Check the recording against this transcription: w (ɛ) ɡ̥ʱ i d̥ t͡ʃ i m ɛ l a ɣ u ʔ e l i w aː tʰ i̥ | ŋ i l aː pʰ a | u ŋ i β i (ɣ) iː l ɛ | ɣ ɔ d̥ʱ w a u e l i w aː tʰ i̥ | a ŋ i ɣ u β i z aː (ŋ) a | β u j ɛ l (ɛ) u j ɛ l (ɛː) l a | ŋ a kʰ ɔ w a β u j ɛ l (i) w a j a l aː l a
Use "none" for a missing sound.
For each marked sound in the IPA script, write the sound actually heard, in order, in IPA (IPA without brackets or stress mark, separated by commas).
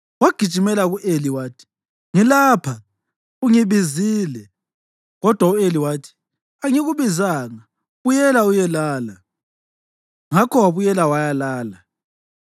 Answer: a, z, ŋ, a, aː, a